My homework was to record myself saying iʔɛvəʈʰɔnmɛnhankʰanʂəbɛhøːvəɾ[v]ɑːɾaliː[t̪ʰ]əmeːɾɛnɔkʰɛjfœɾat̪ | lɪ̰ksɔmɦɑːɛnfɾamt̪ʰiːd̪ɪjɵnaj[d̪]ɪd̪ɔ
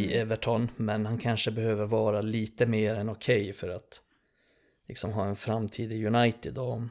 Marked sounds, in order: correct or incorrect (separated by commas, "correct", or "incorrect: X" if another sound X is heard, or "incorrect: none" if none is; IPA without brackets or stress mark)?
correct, incorrect: t̪, incorrect: t̪